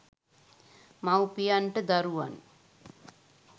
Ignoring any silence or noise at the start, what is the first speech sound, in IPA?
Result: m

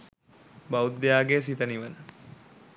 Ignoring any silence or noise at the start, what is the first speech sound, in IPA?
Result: b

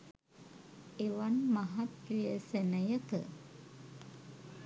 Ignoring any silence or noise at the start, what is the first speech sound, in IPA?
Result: e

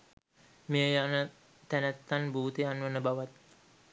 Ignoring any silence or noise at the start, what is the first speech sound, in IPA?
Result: m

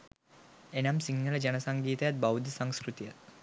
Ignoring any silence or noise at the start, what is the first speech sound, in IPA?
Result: e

